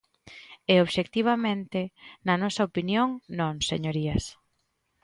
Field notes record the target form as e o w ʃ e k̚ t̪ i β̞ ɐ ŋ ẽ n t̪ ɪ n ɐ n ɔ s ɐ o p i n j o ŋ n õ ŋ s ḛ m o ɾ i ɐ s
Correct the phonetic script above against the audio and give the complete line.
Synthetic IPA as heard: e o β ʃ e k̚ t̪ i β̞ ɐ m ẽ n t̪ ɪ n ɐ n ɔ s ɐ o p i n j o ŋ n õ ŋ s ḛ ɲ o ɾ i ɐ s